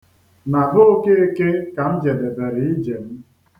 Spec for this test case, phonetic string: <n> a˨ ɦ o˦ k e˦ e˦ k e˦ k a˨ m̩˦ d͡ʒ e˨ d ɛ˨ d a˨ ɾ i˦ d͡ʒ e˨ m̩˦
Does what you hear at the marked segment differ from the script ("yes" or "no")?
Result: no